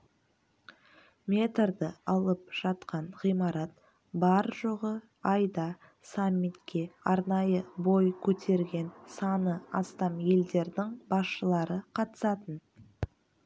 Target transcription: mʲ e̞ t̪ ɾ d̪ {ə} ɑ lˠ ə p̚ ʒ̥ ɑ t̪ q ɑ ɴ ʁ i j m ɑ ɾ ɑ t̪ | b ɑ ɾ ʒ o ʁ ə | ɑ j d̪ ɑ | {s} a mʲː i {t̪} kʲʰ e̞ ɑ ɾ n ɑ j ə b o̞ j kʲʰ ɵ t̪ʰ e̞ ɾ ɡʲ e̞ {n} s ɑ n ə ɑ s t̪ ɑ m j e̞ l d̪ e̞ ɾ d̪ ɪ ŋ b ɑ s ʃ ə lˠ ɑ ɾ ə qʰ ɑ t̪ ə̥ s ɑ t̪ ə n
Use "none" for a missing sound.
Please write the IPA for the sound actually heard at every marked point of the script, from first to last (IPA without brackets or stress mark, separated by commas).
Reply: ə, s, t̪, n